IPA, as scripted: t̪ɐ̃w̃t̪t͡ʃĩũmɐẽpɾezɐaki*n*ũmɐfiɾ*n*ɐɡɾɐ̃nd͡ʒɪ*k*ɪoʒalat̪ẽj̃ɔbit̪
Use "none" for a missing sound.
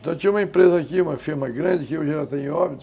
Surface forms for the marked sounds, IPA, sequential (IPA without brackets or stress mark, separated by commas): none, m, k